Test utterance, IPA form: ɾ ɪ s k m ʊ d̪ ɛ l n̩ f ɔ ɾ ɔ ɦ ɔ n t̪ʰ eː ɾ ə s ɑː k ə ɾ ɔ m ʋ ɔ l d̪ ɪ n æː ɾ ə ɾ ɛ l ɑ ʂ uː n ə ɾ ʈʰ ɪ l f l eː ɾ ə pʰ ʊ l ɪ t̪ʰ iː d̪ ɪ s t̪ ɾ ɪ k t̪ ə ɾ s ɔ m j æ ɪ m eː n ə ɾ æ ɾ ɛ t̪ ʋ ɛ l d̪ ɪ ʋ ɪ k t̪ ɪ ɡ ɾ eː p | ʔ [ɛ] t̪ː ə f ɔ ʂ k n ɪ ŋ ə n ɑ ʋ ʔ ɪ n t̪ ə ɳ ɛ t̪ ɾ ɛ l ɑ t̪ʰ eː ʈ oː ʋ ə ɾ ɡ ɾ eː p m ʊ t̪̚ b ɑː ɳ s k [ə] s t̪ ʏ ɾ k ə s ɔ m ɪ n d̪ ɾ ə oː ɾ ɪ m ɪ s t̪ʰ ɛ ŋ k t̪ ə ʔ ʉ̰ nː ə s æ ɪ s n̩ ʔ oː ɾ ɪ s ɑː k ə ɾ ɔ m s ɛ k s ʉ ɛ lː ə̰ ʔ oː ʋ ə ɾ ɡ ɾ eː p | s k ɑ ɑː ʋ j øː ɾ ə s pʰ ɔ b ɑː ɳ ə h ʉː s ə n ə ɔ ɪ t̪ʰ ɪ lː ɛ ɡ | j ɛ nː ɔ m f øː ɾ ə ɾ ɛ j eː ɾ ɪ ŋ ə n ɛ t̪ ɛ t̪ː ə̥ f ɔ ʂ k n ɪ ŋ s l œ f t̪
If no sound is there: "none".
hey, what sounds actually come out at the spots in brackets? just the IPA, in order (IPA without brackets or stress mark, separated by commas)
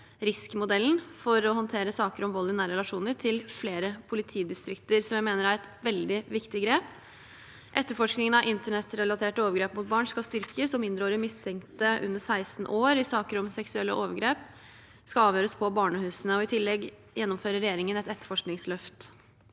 ɛ, ɑ